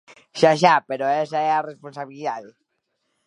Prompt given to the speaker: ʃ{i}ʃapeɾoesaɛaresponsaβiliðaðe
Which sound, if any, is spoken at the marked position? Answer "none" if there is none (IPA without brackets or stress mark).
a